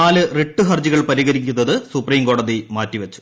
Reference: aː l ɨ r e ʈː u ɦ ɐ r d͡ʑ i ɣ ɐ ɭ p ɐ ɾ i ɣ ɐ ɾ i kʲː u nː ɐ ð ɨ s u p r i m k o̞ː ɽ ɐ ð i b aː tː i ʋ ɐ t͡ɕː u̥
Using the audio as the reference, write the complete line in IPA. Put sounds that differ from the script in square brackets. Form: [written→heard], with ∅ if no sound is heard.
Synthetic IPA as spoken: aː l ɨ r e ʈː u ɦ ɐ r d͡ʑ i ɣ ɐ ɭ p ɐ ɾ i ɣ ɐ ɾ i kʲː u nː ɐ ð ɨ s u p r [i→iː] m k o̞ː ɽ ɐ ð i [b→m] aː tː i ʋ ɐ t͡ɕː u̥